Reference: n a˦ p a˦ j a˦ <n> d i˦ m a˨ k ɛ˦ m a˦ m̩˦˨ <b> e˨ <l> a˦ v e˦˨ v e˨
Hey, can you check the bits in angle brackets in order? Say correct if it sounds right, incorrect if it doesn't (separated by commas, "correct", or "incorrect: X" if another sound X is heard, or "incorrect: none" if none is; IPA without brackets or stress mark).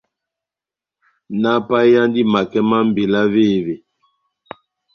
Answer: correct, correct, correct